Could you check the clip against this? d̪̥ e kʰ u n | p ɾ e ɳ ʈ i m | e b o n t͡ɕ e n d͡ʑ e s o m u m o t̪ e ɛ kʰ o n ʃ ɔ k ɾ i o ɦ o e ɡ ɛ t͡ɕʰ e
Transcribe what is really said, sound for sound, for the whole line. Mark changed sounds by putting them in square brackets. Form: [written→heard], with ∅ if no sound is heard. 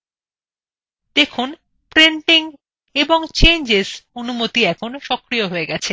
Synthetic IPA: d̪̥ e kʰ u n | p ɾ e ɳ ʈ i [m→ŋ] | e b o [n→ŋ] t͡ɕ e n d͡ʑ e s o [m→n] u m o t̪ [e→i] ɛ kʰ o n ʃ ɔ k ɾ i o ɦ o e ɡ ɛ t͡ɕʰ e